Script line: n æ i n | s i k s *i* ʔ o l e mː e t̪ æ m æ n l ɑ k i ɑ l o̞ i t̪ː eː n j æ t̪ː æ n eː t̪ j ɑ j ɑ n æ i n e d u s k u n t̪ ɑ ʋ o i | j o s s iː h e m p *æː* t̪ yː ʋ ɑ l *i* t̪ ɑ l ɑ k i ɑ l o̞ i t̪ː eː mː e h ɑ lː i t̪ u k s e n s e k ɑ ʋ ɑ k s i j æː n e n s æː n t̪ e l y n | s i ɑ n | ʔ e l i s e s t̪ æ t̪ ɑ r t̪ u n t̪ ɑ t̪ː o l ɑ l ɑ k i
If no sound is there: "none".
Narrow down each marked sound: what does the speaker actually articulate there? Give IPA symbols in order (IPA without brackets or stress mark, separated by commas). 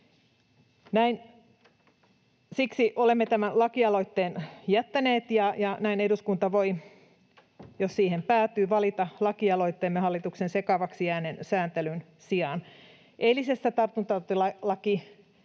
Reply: i, æː, i